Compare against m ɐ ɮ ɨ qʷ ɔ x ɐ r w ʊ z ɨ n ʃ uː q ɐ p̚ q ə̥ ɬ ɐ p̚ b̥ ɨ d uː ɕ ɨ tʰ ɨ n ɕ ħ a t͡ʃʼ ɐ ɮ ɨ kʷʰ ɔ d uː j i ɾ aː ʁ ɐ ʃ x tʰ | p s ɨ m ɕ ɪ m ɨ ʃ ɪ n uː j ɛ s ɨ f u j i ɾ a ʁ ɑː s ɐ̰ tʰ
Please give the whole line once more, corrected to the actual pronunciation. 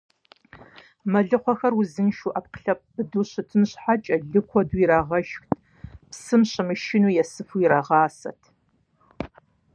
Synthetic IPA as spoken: m ɐ ɮ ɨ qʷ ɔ x ɐ r w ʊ z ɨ n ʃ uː ʔ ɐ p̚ q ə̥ ɬ ɐ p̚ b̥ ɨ d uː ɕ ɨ tʰ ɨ n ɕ ħ a t͡ʃʼ ɐ ɮ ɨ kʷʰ ɔ d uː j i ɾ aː ʁ ɐ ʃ x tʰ | p s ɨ m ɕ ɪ m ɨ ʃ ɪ n uː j ɛ s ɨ f u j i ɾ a ʁ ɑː s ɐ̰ tʰ

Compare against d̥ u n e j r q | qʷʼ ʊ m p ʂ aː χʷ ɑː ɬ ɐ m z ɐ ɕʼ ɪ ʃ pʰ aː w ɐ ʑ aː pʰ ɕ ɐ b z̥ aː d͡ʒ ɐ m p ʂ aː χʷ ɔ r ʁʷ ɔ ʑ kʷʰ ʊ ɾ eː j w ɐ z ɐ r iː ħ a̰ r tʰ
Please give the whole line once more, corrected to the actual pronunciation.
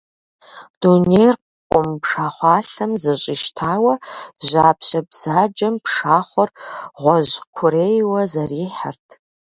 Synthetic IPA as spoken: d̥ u n e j r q | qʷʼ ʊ m p ʂ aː χʷ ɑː ɬ ɐ m z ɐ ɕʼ ɪ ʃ tʰ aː w ɐ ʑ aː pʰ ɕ ɐ b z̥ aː d͡ʒ ɐ m p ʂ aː χʷ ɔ r ʁʷ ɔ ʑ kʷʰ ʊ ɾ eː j w ɐ z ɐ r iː ħ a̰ r tʰ

